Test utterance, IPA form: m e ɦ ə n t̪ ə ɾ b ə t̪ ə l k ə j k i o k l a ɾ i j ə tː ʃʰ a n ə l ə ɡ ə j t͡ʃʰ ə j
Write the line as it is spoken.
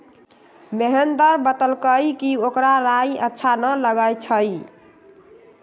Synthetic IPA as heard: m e ɦ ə n d̪ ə ɾ b ə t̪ ə l k ə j k i o k ɾ a ɾ a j ə tː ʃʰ a n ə l ə ɡ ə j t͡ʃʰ ə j